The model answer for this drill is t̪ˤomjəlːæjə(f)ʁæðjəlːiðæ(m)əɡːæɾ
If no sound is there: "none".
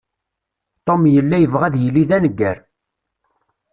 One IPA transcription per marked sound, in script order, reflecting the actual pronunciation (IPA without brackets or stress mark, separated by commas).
v, n